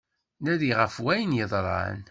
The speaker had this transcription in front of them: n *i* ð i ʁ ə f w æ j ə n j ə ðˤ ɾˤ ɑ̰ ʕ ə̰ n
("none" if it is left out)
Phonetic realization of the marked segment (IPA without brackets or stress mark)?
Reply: æ